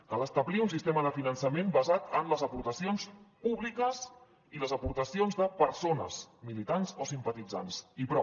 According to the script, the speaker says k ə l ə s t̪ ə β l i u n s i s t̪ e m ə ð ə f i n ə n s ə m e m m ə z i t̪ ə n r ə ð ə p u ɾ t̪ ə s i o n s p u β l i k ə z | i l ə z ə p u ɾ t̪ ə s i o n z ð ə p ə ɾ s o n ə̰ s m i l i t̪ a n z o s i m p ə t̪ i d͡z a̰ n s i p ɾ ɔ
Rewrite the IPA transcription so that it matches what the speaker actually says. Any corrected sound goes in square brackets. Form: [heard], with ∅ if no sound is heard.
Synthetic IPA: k ə l ə s t̪ ə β l i u n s i s t̪ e m ə ð ə f i n ə n s ə m e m [b] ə z [a] t̪ ə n [l] ə [z] ə p u ɾ t̪ ə s i o n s p u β l i k ə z | i l ə z ə p u ɾ t̪ ə s i o n z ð ə p ə ɾ s o n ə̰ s m i l i t̪ a n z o s i m p ə t̪ i d͡z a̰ n s i p ɾ ɔ